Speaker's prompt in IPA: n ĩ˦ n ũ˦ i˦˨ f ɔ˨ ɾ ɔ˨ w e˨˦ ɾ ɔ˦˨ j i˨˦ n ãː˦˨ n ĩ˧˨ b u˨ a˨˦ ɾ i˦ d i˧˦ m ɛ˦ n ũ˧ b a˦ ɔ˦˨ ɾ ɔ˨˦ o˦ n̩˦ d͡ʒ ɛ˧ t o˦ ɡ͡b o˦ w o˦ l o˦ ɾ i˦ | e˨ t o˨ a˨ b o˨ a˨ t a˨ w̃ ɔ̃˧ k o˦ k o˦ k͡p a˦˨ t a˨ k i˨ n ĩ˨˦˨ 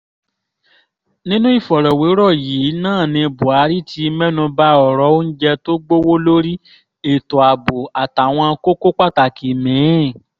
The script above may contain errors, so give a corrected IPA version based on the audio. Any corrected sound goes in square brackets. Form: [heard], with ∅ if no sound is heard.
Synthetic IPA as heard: n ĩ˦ n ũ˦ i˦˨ f ɔ˨ ɾ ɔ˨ w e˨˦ ɾ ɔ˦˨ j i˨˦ n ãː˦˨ n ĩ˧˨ b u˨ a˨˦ ɾ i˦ [t] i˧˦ m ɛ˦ n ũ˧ b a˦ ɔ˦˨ ɾ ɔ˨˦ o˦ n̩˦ d͡ʒ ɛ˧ t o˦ ɡ͡b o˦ w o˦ l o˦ ɾ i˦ | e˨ t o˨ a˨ b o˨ a˨ t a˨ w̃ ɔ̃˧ k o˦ k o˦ k͡p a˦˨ t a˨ k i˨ [m] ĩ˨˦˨